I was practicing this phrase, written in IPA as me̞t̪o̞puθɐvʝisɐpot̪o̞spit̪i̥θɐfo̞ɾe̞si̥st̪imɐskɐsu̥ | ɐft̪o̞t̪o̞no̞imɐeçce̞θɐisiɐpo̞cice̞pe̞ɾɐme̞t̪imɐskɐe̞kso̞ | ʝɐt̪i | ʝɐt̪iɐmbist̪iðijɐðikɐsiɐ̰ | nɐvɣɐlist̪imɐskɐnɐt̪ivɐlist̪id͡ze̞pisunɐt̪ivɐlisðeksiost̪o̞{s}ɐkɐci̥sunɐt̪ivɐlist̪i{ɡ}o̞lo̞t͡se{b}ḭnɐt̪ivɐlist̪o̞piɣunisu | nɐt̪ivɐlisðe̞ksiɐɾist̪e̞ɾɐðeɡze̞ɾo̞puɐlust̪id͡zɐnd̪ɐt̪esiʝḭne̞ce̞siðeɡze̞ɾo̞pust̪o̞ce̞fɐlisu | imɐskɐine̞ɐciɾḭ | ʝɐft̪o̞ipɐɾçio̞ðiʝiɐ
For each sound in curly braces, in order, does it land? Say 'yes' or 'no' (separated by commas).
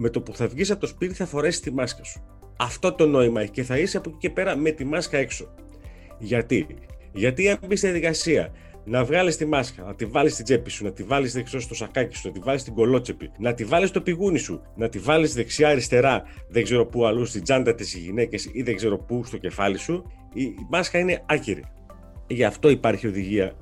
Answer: yes, yes, no